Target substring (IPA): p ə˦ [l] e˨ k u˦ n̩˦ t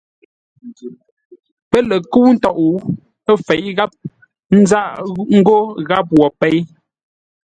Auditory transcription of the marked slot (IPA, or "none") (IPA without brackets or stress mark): l